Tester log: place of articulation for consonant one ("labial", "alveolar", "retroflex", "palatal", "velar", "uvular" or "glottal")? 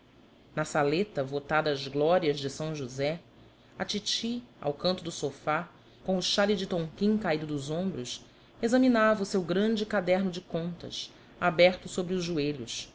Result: alveolar